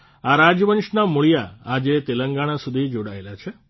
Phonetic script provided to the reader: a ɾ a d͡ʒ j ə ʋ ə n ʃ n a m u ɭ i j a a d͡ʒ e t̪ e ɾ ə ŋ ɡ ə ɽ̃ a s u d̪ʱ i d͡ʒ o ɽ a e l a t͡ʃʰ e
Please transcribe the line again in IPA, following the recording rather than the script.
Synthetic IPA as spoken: a ɾ a d͡ʒ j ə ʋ ə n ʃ n a m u ɭ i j a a d͡ʒ e t̪ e l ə ŋ ɡ a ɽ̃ a s u d̪ʱ i d͡ʒ o ɽ a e l a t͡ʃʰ e